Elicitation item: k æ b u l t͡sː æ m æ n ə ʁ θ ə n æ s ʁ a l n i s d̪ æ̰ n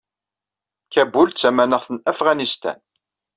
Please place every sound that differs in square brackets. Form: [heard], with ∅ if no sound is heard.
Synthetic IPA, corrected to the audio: k æ b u l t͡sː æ m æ n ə ʁ θ ə n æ [f] ʁ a [∅] n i s [t̪] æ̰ n